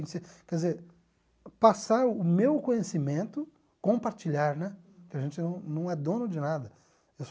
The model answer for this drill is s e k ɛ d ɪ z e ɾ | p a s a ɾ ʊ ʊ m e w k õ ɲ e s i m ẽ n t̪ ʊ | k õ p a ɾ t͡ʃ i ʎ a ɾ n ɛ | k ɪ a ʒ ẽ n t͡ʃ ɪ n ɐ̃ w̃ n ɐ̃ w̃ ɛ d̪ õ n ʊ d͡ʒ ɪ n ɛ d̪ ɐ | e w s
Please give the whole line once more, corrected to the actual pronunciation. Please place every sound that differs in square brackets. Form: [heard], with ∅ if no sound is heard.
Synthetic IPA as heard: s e k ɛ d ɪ z e ɾ | p a s a ɾ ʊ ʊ m e w k õ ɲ e s i m ẽ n t̪ ʊ | k õ p a ɾ t͡ʃ i ʎ a ɾ n ɛ | k ɪ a ʒ ẽ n t͡ʃ ɪ n ɐ̃ w̃ n ɐ̃ w̃ ɛ d̪ õ n ʊ d͡ʒ ɪ n [a] d̪ ɐ | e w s